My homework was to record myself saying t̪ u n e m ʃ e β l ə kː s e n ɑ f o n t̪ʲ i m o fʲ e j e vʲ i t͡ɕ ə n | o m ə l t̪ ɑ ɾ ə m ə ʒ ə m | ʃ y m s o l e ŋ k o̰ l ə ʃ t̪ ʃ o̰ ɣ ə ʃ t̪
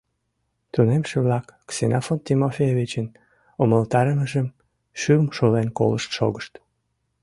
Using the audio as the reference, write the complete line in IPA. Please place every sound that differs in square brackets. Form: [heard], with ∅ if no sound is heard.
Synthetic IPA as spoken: t̪ u n e m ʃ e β l [ɑ] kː s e n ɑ f o n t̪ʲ i m o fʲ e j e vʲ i t͡ɕ ə n | o m ə l t̪ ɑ ɾ ə m ə ʒ ə m | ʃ y m [ʃ] o l e [n] k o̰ l ə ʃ t̪ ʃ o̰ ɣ ə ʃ t̪